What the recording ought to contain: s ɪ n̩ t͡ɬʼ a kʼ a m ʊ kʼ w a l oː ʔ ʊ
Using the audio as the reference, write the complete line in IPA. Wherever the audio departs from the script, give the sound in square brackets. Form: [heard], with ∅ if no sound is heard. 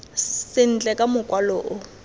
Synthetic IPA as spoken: s ɪ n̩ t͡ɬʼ [ɛ] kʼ a m ʊ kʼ w a l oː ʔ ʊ